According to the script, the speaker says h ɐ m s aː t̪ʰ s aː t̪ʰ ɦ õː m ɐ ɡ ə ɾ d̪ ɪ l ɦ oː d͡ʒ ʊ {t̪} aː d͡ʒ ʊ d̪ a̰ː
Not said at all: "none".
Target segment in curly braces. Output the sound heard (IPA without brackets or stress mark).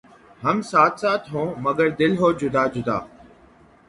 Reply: d̪